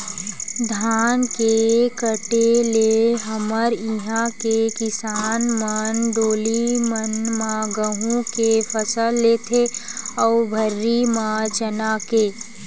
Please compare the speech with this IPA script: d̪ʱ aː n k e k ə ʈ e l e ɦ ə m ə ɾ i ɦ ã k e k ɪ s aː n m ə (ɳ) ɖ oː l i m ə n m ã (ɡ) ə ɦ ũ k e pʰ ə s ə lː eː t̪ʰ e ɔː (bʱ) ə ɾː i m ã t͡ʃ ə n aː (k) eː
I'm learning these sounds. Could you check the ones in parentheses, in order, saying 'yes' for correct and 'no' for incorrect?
no, yes, yes, yes

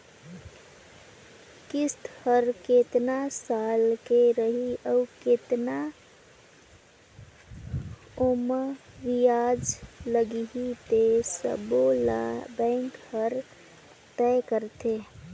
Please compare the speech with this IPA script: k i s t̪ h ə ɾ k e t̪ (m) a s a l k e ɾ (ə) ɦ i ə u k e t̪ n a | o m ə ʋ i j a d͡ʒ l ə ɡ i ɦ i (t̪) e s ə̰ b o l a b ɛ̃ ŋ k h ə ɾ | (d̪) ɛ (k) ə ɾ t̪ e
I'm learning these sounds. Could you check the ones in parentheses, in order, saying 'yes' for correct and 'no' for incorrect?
no, yes, yes, no, yes

